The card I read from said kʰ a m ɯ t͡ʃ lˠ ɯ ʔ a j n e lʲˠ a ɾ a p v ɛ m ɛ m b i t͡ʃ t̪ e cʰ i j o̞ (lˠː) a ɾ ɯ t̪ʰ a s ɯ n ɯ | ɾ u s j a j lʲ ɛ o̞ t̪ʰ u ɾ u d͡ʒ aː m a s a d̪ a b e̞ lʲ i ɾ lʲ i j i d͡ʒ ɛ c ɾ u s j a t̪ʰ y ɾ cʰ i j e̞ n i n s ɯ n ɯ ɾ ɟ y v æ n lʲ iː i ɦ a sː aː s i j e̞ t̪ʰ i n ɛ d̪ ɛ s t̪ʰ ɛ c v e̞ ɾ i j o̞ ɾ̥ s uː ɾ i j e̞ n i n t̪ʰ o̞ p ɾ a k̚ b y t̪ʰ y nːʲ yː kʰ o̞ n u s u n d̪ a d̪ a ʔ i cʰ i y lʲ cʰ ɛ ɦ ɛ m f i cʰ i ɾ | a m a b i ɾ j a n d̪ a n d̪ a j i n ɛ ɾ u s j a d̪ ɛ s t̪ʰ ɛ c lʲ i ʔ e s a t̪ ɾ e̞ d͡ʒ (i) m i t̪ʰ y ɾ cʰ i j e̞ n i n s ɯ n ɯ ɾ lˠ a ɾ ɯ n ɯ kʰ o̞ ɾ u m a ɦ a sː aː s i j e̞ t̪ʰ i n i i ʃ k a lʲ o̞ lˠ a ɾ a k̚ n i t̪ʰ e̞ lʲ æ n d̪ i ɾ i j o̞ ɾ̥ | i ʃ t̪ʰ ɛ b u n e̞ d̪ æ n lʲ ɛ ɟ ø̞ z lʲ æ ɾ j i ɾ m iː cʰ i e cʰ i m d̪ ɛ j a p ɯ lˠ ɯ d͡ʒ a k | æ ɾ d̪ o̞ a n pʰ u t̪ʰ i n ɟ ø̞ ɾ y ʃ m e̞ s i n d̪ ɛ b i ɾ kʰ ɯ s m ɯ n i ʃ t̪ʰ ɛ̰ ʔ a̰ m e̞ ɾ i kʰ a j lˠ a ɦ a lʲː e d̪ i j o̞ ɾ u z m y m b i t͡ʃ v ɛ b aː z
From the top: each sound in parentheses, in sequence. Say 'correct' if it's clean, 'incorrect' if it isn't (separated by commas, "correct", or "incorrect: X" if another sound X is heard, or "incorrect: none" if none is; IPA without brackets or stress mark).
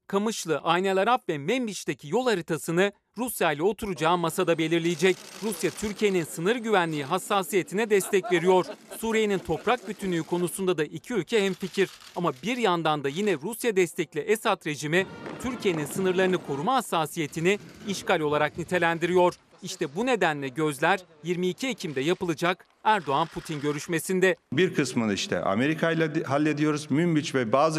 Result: incorrect: lˠ, correct